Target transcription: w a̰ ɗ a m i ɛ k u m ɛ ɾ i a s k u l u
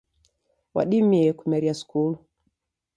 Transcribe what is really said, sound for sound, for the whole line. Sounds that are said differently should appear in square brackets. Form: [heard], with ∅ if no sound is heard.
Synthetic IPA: w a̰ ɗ [i] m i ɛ k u m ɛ ɾ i a s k u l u